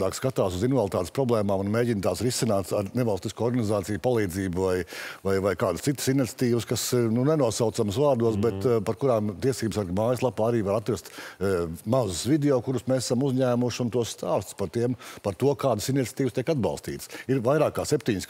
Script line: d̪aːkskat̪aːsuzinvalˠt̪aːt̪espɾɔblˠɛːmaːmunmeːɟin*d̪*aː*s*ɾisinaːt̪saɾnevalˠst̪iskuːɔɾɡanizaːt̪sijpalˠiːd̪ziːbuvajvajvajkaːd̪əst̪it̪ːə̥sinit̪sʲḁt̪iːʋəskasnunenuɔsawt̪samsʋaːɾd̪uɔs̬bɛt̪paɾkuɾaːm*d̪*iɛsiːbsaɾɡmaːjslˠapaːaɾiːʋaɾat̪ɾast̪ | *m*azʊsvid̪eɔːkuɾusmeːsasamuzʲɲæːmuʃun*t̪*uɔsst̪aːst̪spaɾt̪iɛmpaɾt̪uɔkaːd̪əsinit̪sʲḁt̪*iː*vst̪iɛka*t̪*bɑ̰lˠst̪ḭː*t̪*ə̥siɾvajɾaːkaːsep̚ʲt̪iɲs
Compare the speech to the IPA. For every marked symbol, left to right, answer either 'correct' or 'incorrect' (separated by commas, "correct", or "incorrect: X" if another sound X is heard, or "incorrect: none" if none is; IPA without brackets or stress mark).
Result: incorrect: t̪, correct, incorrect: t̪, correct, correct, correct, incorrect: d̪, correct